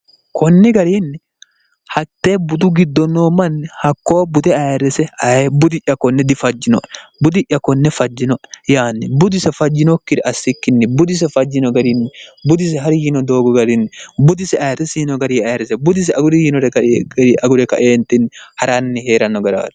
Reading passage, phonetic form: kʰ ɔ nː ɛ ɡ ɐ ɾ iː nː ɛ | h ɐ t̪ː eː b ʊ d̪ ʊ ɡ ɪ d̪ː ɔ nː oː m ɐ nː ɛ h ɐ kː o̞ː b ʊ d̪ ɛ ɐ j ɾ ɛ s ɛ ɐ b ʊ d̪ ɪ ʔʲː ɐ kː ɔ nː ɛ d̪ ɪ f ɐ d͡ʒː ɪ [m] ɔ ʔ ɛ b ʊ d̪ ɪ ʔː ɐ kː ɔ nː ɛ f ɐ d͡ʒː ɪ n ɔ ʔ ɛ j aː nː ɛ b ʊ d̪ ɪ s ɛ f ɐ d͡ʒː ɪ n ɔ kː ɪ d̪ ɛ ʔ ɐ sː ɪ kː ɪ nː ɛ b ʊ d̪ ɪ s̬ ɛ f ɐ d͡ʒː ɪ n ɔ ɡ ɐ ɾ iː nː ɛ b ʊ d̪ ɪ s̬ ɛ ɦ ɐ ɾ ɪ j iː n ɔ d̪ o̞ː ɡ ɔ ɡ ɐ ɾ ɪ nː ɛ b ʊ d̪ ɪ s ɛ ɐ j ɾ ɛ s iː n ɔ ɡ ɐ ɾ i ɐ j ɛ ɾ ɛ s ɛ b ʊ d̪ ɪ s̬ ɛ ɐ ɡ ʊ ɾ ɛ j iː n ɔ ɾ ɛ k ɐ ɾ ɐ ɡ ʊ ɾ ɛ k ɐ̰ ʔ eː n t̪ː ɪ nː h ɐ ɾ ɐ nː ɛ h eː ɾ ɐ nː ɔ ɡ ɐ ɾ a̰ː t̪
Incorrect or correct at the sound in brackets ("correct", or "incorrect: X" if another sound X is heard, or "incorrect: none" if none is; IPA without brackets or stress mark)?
incorrect: n